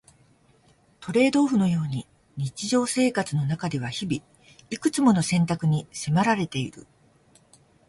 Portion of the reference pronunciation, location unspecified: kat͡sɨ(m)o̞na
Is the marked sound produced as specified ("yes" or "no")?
no